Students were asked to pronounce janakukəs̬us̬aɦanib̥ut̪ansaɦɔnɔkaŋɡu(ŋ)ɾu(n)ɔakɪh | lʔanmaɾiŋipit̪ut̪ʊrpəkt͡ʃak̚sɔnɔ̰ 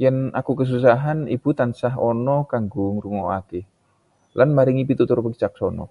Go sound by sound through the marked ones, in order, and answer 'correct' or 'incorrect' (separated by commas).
correct, incorrect